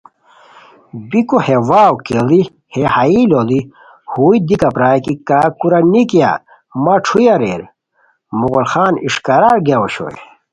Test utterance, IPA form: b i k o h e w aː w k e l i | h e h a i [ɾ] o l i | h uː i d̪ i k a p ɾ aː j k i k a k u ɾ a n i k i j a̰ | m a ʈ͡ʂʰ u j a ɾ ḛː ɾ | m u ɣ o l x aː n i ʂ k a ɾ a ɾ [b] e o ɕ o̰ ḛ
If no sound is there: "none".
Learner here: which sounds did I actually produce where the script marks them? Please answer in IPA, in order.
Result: l, ɡ

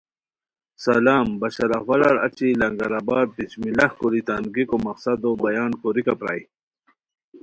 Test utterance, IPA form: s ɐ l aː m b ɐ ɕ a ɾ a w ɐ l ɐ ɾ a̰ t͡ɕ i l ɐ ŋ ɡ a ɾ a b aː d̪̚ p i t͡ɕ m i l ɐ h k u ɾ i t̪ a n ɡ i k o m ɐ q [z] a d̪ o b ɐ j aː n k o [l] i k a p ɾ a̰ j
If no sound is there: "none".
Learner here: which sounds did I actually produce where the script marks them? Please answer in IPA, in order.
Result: s, ɾ

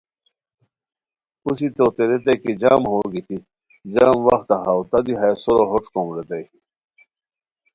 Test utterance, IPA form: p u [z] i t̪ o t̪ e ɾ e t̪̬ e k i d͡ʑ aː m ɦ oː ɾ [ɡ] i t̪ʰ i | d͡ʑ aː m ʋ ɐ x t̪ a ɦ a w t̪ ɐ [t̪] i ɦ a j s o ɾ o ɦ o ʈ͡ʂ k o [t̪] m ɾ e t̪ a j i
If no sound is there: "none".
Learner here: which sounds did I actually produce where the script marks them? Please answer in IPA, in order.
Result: s, ɡ, d̪, none

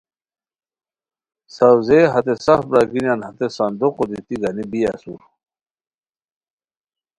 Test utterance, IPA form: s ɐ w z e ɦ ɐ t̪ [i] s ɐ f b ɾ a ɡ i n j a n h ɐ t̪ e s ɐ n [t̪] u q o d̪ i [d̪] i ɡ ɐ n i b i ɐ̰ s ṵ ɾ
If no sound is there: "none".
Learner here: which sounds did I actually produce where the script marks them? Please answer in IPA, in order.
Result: e, d̪, t̪

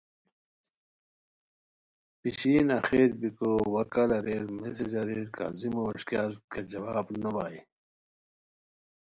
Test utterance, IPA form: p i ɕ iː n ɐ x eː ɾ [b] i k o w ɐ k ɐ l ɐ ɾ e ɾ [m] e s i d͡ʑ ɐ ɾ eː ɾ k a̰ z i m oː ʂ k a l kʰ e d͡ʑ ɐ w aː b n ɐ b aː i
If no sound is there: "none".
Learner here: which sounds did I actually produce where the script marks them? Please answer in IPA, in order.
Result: b, m

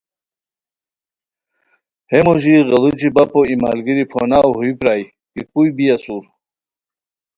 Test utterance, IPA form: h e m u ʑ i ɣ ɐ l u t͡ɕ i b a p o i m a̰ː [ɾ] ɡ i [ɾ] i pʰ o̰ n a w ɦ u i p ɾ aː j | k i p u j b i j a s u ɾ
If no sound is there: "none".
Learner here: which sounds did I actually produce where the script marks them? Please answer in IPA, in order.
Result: l, ɾ

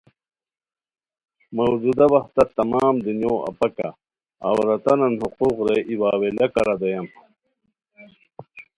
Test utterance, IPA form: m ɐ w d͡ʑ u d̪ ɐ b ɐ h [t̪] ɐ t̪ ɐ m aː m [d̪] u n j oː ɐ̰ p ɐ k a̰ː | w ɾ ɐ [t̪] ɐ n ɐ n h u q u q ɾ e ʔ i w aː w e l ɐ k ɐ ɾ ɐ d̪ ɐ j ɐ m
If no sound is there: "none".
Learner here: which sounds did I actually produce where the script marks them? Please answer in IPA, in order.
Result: t̪, d̪, t̪

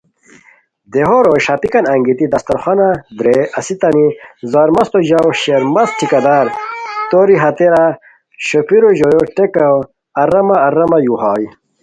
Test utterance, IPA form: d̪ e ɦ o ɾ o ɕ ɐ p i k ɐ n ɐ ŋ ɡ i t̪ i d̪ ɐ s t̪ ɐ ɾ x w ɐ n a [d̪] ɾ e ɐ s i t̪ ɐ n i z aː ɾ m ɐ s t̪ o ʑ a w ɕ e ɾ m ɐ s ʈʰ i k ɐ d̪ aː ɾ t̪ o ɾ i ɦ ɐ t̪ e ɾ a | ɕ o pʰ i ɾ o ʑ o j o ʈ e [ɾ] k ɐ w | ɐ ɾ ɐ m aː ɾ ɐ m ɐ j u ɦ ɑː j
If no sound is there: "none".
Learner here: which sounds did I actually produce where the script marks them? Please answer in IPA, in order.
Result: d̪, none

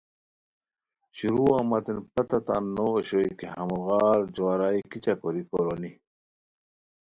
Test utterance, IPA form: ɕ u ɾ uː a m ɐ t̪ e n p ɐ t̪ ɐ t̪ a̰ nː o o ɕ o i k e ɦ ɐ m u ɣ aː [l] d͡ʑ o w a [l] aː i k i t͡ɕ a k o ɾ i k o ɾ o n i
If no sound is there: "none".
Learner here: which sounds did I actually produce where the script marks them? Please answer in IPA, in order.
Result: ɾ, ɾ

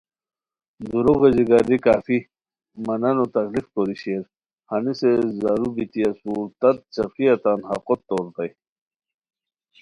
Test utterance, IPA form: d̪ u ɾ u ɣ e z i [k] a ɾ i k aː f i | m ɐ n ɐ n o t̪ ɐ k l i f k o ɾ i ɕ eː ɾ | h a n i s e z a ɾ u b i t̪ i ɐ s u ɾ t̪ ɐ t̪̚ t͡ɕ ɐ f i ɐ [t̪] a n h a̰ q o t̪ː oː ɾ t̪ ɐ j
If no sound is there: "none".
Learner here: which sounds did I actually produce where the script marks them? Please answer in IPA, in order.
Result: ɡ, t̪

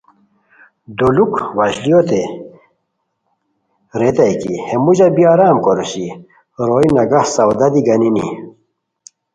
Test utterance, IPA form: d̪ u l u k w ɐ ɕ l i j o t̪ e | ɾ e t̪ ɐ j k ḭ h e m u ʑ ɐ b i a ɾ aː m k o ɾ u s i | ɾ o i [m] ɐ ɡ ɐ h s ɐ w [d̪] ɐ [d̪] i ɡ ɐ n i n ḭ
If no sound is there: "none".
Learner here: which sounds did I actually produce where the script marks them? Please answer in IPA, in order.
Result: n, d̪, d̪

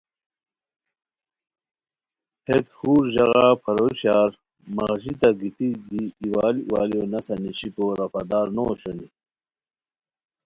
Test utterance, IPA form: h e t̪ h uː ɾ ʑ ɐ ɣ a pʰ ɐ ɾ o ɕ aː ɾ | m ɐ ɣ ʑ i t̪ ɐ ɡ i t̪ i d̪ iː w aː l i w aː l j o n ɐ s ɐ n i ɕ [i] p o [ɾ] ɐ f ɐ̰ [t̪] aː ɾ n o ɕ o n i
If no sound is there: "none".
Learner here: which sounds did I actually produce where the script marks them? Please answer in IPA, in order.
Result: i, ɾ, d̪

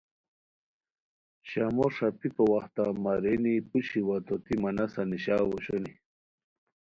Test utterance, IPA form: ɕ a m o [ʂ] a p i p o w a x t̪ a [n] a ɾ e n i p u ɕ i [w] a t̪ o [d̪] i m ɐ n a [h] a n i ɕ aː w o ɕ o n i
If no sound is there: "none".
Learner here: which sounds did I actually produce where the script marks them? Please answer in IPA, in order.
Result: ʂ, m, w, t̪, s

